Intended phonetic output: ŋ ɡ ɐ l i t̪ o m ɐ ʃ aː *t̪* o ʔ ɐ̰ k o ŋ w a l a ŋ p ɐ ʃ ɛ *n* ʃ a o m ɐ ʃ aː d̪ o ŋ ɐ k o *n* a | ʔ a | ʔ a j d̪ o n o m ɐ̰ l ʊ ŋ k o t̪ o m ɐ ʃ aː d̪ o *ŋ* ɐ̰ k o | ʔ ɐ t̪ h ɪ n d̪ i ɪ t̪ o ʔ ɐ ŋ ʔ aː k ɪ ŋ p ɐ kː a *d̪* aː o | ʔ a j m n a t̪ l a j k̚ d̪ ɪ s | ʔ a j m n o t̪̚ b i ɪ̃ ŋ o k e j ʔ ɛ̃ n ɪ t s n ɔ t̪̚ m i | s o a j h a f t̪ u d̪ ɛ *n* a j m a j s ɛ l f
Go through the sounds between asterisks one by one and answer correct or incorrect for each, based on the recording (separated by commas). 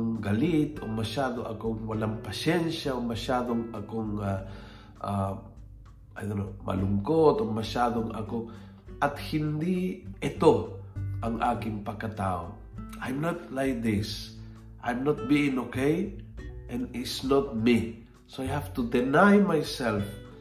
incorrect, correct, incorrect, correct, incorrect, correct